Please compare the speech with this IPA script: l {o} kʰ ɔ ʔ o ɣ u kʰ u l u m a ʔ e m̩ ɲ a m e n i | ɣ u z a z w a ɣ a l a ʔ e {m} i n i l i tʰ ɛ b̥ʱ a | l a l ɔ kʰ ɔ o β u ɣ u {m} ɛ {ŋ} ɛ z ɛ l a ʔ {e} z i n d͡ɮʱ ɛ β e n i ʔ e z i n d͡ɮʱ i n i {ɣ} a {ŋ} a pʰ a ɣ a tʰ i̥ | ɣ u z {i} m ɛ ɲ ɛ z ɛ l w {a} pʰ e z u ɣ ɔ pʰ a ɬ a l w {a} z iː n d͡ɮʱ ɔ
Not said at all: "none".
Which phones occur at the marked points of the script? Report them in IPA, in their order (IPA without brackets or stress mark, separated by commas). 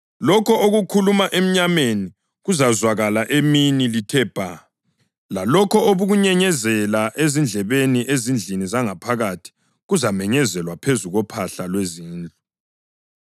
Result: ɔ, m, ɲ, ɲ, e, z, ŋ, a, a, e